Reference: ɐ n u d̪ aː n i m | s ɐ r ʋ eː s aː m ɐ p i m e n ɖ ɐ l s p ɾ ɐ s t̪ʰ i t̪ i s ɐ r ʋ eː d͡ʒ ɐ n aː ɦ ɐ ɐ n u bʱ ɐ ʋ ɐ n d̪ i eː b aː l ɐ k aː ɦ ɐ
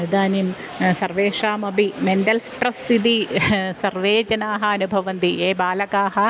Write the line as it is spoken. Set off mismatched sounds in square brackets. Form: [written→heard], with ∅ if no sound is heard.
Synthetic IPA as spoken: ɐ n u d̪ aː n i m | s ɐ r ʋ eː [s→ʂ] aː m ɐ [p→b] i m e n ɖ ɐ l s p ɾ ɐ s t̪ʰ i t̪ i s ɐ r ʋ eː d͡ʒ ɐ n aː ɦ ɐ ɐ n u bʱ ɐ ʋ ɐ n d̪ i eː b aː l ɐ k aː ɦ ɐ